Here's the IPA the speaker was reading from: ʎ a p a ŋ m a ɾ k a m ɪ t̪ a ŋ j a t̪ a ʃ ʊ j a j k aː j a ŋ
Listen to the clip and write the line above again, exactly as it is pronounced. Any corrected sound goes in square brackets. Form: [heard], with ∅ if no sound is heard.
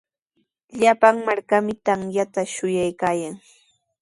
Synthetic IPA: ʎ a p a ŋ m a ɾ k a m ɪ t̪ a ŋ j a t̪ a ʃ ʊ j a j k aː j a ŋ

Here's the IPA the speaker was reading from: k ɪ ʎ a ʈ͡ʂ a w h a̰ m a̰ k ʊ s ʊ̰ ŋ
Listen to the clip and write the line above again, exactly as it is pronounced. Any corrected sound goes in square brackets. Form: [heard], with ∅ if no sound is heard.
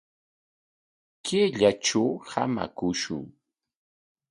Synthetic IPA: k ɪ ʎ a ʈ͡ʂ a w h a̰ m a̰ k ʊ [ʃ] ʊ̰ ŋ

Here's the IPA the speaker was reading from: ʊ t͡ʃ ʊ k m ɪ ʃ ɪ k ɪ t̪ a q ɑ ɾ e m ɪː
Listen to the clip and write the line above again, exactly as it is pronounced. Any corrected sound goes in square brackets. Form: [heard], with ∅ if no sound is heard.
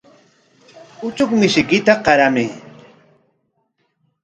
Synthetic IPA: ʊ t͡ʃ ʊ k m ɪ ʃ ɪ k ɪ t̪ a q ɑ ɾ [a] m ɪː

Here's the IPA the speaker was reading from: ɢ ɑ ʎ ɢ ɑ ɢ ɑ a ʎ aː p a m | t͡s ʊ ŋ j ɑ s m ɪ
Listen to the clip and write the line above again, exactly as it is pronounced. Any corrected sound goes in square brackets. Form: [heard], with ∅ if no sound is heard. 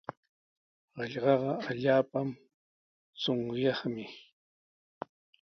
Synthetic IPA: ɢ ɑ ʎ ɢ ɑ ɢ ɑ a ʎ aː p a m | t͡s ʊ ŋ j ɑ [χ] m ɪ

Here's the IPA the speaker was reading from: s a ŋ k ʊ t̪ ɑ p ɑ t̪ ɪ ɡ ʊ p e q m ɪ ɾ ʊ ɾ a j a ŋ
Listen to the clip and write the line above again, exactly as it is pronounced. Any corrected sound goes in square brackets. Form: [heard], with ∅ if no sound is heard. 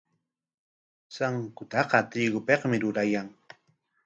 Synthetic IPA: s a ŋ k ʊ t̪ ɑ [q] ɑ t̪ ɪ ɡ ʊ p e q m ɪ ɾ ʊ ɾ a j a ŋ

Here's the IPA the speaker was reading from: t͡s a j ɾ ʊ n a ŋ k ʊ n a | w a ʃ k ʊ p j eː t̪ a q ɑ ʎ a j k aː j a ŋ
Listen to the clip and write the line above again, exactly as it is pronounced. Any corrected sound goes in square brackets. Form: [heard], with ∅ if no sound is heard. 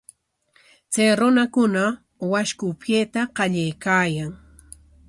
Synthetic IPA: t͡s a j ɾ ʊ n a [∅] k ʊ n a | w a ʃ k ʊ p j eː t̪ a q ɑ ʎ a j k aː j a ŋ

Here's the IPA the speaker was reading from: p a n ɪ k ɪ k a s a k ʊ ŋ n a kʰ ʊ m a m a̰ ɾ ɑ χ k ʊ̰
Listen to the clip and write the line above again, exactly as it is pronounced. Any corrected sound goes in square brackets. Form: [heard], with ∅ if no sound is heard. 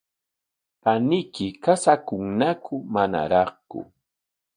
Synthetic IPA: p a n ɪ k ɪ k a s a k ʊ ŋ n a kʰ ʊ m a [n] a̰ ɾ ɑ χ k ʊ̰

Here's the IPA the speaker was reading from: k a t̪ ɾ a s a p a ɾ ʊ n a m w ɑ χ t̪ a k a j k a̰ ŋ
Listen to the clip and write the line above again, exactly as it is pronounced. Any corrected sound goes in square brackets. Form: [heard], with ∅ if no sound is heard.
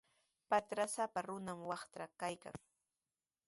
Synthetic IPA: [p] a t̪ ɾ a s a p a ɾ ʊ n a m w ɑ χ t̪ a k a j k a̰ ŋ

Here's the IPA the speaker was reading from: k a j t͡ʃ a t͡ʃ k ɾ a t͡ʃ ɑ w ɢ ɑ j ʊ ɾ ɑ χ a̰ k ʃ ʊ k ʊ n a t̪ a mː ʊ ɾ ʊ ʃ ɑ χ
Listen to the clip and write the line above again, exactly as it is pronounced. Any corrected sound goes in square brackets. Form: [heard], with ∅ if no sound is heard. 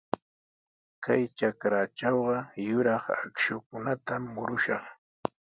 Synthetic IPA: k a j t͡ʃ a [∅] k ɾ a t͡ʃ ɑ w ɢ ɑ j ʊ ɾ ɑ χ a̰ k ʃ ʊ k ʊ n a t̪ a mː ʊ ɾ ʊ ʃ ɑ χ

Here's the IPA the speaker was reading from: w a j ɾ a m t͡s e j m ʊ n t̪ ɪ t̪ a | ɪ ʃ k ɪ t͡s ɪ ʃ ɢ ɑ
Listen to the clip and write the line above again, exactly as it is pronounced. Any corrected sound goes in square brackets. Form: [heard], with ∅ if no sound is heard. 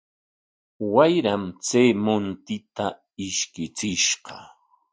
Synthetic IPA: w a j ɾ a m t͡s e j m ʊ n t̪ ɪ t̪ a | ɪ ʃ k ɪ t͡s ɪ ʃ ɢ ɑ

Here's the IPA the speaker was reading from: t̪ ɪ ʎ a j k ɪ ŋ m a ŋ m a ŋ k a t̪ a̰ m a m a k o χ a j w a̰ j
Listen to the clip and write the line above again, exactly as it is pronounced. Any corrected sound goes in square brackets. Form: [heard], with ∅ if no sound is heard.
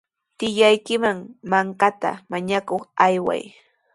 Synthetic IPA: t̪ ɪ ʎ a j k ɪ [∅] m a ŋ m a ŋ k a t̪ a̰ m a [ɲ] a k o χ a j w a̰ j

